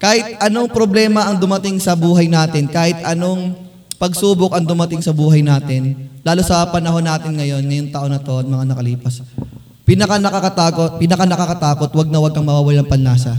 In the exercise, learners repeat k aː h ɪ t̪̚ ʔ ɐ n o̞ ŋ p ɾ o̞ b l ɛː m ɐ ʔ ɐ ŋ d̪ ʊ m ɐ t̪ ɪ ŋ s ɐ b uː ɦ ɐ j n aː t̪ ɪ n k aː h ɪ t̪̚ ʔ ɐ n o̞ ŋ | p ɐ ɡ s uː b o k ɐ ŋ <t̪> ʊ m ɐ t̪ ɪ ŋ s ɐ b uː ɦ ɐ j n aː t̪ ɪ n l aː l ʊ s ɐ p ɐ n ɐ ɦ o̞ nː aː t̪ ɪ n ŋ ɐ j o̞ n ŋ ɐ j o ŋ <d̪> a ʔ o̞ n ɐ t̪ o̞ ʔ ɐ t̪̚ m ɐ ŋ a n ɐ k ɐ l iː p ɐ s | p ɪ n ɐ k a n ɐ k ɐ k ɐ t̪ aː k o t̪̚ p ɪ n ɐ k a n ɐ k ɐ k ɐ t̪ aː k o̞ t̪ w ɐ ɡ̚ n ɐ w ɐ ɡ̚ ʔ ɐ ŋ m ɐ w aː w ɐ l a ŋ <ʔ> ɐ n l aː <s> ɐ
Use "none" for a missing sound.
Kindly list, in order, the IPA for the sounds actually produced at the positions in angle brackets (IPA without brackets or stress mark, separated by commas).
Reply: d̪, t̪, p, s